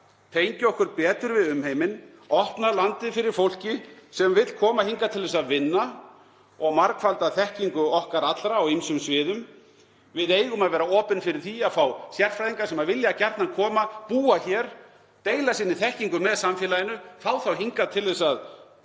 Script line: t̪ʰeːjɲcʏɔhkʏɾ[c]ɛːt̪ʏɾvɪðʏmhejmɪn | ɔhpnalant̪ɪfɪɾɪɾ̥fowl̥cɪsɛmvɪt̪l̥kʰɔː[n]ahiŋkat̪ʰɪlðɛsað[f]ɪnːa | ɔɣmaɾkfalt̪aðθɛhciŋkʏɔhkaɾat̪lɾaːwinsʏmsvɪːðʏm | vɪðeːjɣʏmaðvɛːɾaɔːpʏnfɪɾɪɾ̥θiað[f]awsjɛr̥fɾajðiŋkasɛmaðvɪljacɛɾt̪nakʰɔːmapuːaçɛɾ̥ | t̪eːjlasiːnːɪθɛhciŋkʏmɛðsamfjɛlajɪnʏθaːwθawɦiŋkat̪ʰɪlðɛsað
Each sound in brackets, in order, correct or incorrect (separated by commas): incorrect, incorrect, incorrect, correct